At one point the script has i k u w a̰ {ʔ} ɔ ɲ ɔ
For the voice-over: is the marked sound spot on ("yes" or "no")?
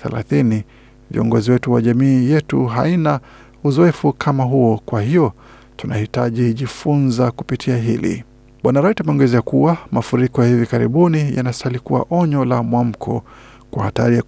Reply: yes